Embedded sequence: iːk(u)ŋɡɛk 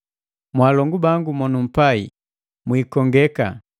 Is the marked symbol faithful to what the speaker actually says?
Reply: no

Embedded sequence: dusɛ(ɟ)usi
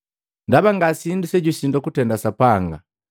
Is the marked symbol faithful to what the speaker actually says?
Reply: yes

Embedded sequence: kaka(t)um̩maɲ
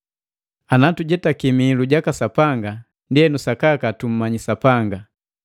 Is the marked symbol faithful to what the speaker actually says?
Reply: yes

